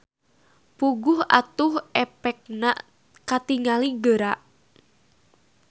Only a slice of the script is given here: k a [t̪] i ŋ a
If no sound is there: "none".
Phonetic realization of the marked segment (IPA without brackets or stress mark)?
t̪